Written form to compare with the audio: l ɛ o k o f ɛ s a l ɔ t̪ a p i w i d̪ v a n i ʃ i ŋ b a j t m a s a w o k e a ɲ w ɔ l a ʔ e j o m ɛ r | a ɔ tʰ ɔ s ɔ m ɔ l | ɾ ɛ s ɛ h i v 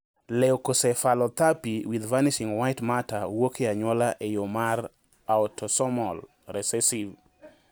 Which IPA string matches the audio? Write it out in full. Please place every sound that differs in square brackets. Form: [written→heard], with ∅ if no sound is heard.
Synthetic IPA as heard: l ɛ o k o [f→s] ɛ [s→f] a l ɔ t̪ a p i w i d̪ v a n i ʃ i ŋ [b→w] a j t m a [s→t] a w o k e a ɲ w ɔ l a ʔ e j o m [ɛ→a] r | a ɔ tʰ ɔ s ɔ m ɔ l | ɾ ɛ s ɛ [h→s] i v